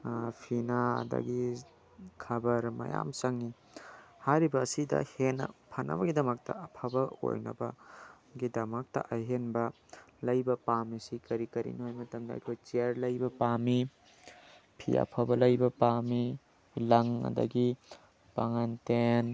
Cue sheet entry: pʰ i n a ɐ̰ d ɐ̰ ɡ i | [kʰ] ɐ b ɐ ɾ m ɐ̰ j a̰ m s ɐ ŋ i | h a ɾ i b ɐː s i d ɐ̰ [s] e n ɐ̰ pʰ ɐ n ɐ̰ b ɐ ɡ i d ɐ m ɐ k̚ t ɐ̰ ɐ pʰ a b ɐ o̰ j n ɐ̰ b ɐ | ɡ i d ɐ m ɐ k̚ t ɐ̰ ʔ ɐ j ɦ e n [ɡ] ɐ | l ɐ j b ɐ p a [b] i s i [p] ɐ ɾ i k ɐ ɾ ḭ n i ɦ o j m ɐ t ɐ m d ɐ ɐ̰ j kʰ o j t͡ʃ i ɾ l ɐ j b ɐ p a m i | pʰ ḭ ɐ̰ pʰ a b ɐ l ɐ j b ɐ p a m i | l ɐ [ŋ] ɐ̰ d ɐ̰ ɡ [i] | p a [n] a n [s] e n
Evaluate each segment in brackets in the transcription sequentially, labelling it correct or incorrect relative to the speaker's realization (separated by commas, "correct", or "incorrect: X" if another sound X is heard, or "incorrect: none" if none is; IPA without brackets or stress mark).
correct, incorrect: h, incorrect: b, incorrect: m, incorrect: k, correct, correct, incorrect: ŋ, incorrect: t